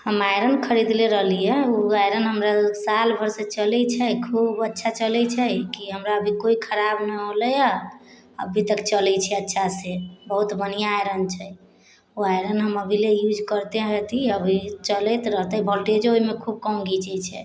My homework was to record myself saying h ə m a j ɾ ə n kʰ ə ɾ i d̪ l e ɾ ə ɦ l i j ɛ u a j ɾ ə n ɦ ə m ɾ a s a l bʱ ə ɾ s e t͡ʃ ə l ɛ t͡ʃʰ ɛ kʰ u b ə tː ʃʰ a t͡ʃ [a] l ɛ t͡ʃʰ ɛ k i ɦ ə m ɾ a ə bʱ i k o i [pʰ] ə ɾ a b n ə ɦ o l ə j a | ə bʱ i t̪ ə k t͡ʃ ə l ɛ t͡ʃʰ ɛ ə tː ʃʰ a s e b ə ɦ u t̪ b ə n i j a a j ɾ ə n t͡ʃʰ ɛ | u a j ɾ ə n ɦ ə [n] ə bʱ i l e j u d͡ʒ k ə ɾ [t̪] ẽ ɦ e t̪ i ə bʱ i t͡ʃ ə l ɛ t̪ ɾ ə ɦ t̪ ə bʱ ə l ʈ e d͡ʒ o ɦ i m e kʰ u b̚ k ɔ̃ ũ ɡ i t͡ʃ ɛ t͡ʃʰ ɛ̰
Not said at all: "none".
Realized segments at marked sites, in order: ə, kʰ, m, t̪

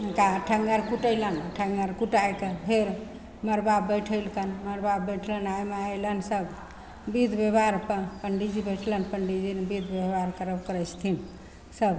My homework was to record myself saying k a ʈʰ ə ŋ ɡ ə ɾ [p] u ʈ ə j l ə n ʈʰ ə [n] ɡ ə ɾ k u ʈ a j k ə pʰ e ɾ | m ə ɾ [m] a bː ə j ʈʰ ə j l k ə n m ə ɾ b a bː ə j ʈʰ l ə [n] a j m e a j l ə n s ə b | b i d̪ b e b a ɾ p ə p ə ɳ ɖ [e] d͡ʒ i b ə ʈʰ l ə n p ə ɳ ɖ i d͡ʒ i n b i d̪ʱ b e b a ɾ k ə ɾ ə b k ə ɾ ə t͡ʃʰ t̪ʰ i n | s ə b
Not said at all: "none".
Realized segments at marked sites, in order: k, ŋ, b, n, i

